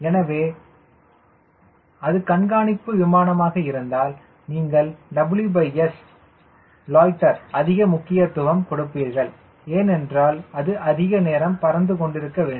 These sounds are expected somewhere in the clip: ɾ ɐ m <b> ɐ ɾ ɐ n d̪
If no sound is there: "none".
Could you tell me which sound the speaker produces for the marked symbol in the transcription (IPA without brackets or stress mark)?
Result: p